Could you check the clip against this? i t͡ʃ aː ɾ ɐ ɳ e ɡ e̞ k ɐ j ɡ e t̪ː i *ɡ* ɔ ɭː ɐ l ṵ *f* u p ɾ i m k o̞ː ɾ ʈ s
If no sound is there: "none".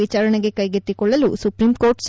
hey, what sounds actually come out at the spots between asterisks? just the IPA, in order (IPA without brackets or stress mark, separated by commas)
k, s